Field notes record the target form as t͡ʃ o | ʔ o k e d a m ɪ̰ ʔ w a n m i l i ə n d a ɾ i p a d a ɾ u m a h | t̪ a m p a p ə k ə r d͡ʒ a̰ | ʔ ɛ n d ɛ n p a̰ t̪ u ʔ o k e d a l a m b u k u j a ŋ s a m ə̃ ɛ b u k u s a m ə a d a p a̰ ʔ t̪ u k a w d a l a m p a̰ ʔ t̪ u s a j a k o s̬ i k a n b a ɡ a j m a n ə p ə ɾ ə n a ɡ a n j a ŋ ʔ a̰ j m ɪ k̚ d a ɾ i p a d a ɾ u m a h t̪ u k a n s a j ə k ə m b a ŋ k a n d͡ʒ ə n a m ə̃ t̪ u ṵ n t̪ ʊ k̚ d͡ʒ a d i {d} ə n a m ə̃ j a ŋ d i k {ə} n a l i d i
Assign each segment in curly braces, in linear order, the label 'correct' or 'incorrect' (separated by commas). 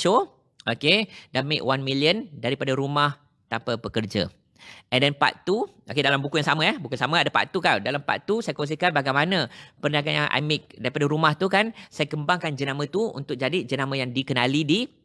incorrect, correct